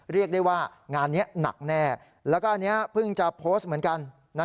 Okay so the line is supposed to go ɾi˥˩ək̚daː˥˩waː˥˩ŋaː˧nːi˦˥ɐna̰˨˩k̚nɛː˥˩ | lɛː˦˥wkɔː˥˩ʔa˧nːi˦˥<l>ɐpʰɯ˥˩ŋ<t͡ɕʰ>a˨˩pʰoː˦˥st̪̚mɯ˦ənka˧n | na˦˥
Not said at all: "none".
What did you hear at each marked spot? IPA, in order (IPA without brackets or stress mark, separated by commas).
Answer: none, t͡ɕ